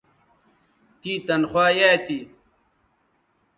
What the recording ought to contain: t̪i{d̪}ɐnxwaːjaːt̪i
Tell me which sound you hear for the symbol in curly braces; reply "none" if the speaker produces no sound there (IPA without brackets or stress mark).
t̪